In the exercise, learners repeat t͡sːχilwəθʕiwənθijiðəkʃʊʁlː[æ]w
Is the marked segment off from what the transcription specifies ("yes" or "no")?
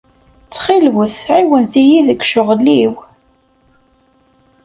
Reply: yes